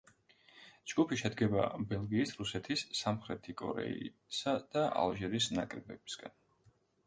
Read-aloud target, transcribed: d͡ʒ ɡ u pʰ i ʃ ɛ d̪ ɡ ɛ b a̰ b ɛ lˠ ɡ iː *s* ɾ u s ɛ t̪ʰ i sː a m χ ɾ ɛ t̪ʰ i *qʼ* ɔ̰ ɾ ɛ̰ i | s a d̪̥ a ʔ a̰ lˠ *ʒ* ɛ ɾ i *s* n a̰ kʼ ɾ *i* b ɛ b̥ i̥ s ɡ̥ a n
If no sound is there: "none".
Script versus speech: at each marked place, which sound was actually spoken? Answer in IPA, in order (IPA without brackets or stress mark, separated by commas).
s, kʼ, ʒ, s, ɛ